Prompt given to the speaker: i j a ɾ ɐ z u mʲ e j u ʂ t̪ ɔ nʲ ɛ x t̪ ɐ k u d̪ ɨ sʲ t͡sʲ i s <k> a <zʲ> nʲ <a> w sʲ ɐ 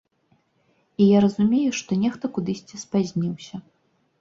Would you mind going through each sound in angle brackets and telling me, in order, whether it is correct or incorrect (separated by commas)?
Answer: incorrect, correct, incorrect